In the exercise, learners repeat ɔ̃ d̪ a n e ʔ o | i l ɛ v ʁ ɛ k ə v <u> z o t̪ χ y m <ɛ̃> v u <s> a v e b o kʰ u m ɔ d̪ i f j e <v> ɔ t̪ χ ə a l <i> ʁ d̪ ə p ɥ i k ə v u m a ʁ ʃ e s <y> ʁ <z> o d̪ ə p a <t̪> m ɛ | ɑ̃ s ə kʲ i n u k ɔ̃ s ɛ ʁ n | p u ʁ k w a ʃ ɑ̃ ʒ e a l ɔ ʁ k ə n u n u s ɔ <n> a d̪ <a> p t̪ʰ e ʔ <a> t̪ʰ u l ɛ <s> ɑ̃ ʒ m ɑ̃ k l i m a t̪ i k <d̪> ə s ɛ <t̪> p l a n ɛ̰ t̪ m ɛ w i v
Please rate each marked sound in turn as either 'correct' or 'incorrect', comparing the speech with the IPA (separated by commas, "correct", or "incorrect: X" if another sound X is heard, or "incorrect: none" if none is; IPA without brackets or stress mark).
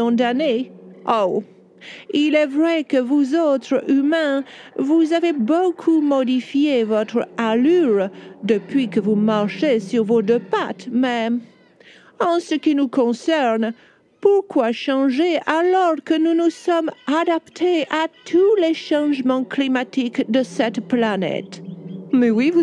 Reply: correct, correct, incorrect: z, correct, incorrect: y, correct, incorrect: v, correct, incorrect: m, correct, correct, incorrect: ʃ, correct, correct